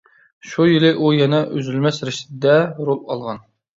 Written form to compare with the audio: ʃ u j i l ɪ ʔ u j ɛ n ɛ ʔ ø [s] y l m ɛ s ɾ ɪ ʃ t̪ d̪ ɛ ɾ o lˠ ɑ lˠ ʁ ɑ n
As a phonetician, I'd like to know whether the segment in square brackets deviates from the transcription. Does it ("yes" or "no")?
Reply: yes